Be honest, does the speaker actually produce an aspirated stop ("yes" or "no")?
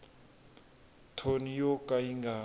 yes